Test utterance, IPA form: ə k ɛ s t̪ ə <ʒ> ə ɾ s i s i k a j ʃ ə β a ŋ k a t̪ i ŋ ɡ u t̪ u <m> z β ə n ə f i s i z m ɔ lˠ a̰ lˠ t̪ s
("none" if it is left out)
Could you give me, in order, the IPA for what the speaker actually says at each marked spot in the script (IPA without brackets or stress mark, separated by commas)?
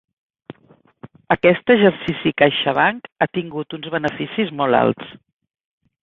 ʒ, n